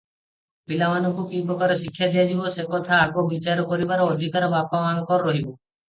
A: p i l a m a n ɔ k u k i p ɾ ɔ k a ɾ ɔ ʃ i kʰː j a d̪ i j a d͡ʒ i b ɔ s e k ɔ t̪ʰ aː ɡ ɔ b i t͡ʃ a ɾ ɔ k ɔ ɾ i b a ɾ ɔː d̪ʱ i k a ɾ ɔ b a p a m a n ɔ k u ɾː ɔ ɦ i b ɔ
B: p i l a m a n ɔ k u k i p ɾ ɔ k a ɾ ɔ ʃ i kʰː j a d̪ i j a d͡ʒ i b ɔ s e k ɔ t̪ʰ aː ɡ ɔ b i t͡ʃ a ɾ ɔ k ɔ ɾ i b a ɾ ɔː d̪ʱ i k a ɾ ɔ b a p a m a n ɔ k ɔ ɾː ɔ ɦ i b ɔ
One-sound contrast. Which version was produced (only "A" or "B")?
B